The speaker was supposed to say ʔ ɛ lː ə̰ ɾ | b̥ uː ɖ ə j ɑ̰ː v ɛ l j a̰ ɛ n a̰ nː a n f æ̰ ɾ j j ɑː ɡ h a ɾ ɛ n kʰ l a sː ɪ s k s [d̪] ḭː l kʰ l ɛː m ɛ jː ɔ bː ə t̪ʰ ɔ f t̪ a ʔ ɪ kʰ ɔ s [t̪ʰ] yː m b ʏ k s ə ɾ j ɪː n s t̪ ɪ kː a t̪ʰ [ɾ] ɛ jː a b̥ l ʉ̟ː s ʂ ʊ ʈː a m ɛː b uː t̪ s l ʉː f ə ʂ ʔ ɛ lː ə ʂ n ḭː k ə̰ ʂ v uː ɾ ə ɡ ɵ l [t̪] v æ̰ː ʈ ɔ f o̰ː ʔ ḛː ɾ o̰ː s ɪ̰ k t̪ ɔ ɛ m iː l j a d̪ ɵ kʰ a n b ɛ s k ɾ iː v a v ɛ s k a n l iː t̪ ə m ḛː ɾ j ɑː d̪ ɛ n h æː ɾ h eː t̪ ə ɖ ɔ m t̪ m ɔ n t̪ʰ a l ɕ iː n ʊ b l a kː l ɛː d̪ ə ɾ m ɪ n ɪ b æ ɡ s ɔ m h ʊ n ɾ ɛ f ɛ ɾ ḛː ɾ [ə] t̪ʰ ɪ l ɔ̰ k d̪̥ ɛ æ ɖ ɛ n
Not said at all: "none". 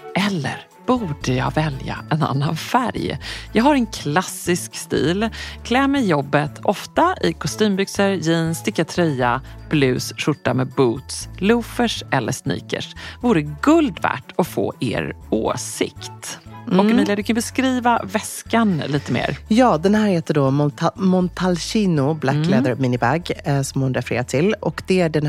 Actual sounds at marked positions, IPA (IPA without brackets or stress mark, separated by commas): t̪, t̪, ɾ, d̪, a